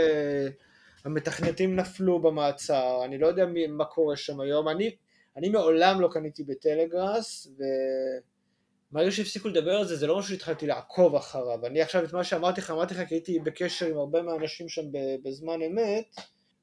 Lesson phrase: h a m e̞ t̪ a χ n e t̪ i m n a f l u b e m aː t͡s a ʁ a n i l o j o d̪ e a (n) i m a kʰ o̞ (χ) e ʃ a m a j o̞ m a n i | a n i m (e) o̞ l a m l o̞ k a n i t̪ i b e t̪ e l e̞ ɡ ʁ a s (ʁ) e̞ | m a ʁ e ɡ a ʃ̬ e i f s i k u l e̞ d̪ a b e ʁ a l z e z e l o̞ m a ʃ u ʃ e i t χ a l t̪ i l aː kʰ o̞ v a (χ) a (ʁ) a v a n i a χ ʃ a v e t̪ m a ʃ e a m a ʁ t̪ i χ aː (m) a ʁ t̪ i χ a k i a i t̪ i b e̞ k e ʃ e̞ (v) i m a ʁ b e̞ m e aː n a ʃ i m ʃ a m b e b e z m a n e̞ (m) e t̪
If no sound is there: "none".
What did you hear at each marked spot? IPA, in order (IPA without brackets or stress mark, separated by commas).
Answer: m, ʁ, e, v, χ, ʁ, m, ʁ, m